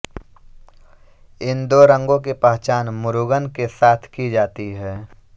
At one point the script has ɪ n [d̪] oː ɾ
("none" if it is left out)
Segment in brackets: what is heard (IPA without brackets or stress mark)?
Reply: d̪